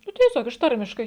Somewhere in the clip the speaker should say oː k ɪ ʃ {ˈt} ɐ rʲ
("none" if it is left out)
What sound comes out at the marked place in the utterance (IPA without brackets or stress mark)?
t